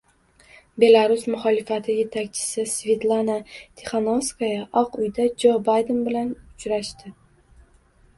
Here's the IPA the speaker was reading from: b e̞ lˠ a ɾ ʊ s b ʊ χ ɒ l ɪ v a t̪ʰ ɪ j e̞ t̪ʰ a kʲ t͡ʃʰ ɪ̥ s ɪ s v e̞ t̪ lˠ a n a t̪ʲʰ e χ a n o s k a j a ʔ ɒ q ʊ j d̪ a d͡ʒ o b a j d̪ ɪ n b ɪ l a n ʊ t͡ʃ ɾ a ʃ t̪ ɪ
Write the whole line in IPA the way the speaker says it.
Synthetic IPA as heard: b e̞ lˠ a ɾ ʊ s m ʊ χ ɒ l ɪ f a t̪ʰ ɪ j e̞ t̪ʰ a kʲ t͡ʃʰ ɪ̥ s ɪ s v e̞ t̪ lˠ a n a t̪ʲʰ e χ a n o s k a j a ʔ ɒ q ʊ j d̪ a d͡ʒ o b a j d̪ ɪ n b ɪ l a n ʊ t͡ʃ ɾ a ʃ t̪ ɪ